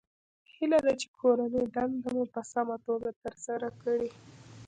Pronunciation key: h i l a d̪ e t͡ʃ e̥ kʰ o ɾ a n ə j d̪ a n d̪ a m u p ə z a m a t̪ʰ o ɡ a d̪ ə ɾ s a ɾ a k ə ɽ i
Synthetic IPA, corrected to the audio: h i l a d̪ a t͡ʃ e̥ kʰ o ɾ a n ə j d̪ a n d̪ a m u p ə s a m a t̪ o ɡ a t̪ ə ɾ s a ɾ a k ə ɽ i